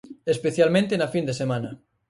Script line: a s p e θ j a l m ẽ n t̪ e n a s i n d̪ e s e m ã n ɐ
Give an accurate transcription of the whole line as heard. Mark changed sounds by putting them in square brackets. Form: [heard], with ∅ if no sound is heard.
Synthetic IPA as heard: [e] s p e θ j a l m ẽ n t̪ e n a [f] i n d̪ e s e m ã n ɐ